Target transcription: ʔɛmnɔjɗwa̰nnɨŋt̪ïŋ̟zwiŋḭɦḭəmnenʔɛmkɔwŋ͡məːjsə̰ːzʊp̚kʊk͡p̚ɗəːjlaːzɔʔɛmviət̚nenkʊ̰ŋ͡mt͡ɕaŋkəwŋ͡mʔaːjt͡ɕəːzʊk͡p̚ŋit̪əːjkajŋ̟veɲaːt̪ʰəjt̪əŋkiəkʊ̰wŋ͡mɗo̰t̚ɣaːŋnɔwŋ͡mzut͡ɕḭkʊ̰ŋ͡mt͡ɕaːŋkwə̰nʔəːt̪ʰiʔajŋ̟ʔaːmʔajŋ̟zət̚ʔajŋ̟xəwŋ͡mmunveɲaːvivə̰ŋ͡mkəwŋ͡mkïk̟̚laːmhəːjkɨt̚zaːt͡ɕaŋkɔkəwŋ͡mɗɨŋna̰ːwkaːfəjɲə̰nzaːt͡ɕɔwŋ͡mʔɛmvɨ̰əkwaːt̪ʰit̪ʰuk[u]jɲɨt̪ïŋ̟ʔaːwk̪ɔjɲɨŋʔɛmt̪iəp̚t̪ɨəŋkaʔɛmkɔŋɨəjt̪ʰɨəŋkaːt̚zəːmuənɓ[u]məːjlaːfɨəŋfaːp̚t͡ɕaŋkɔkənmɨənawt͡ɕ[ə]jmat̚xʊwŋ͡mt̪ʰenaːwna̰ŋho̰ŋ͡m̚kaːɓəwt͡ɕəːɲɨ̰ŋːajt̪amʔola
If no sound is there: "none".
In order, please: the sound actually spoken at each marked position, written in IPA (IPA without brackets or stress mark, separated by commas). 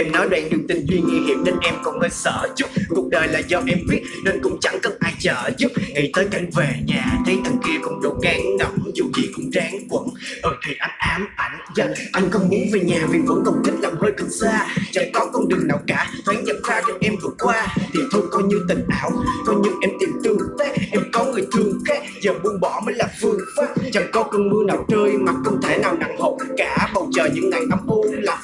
ɔ, ɔ, əː